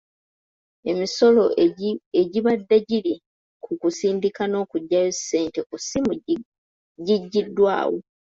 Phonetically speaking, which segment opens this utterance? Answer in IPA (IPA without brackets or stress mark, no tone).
e̞